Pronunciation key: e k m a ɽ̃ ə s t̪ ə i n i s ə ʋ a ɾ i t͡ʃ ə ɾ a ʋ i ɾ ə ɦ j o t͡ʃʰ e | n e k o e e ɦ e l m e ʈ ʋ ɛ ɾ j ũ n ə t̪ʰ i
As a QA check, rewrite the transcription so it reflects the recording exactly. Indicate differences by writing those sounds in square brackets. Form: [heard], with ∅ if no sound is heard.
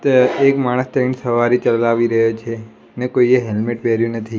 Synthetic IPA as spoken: e k m a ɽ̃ ə s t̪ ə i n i s ə ʋ a ɾ i t͡ʃ ə [l] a ʋ i ɾ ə ɦ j o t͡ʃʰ e | n e k o [i] e ɦ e l m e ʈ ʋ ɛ ɾ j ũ n ə t̪ʰ i